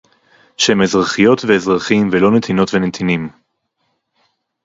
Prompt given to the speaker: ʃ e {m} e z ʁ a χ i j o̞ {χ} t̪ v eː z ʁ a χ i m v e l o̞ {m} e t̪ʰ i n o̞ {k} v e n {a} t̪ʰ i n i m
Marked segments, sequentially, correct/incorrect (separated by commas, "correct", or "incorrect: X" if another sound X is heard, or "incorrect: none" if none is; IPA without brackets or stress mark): correct, incorrect: none, incorrect: n, incorrect: t, incorrect: e